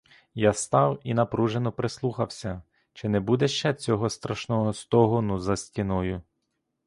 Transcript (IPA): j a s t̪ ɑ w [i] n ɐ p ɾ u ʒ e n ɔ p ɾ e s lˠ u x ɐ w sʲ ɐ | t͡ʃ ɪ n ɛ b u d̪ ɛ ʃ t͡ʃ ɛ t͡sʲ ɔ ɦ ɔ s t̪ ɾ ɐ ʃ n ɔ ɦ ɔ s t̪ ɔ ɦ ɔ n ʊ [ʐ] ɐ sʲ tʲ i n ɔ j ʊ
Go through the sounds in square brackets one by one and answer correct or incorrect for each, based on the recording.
correct, incorrect: z

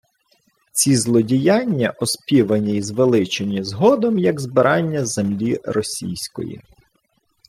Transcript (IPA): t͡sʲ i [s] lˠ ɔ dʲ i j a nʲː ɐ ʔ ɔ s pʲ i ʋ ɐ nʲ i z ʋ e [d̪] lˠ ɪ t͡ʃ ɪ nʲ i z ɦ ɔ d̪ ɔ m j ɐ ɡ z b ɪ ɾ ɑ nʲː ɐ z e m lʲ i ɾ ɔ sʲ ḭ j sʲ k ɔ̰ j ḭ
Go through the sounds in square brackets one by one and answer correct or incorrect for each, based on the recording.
incorrect: z, incorrect: none

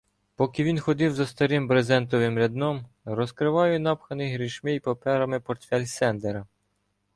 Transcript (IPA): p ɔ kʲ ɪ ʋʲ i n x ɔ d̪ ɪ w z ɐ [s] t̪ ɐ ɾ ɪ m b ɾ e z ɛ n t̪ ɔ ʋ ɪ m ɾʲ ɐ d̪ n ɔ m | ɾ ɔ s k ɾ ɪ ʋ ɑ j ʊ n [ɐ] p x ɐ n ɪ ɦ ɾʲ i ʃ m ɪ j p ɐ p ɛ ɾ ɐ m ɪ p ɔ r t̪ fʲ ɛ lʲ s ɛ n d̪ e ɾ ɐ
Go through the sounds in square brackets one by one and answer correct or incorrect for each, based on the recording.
correct, incorrect: ɑ

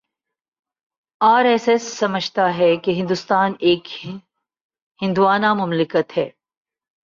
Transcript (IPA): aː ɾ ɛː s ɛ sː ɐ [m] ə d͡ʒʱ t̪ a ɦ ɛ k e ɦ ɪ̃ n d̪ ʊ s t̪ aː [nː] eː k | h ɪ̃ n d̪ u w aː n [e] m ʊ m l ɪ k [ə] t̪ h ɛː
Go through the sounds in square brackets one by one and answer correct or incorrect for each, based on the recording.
correct, incorrect: n, incorrect: a, correct

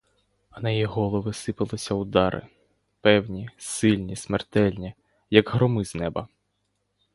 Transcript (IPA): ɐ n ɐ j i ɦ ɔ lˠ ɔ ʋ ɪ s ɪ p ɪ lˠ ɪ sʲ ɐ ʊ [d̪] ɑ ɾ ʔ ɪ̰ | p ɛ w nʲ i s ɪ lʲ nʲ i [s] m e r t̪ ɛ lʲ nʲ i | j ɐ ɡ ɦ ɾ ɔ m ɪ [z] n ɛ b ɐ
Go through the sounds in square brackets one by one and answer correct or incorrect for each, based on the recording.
correct, correct, correct

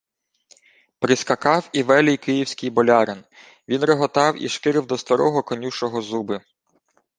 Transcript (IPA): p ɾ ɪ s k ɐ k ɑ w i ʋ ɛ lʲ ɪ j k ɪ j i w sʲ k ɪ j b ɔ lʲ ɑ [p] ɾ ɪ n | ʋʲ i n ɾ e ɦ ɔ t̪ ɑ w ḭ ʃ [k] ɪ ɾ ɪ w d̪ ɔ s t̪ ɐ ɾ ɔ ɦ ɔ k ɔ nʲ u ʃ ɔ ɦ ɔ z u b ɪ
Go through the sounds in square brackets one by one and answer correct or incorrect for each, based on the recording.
incorrect: none, correct

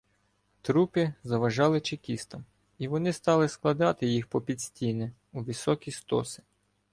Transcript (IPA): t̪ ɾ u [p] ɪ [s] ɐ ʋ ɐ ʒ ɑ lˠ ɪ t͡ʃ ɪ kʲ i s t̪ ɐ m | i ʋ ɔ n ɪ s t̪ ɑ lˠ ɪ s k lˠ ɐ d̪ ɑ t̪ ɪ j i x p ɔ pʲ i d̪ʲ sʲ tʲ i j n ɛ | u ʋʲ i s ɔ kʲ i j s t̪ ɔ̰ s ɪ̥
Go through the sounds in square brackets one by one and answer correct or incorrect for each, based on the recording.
correct, incorrect: z

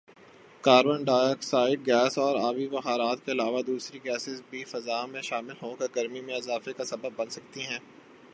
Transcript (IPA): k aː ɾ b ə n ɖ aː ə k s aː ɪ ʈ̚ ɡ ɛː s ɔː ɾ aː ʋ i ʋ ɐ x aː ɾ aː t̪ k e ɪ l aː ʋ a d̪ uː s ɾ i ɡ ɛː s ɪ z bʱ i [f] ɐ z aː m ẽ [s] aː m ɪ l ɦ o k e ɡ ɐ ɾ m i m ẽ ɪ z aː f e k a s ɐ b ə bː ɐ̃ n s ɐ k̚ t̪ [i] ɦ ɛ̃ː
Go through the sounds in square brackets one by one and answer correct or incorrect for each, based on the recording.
correct, incorrect: ʃ, correct

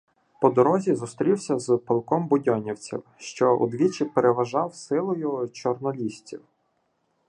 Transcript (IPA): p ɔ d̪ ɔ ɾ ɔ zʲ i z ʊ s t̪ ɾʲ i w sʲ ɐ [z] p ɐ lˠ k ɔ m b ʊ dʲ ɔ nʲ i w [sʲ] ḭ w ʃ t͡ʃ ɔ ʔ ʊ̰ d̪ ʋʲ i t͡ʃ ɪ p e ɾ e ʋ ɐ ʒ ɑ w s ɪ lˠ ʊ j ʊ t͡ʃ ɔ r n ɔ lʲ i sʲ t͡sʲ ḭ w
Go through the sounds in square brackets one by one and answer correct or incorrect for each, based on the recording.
correct, incorrect: t͡sʲ

